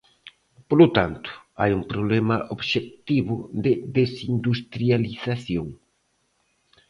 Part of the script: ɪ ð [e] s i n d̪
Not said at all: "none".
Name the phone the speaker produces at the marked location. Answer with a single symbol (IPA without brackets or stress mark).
e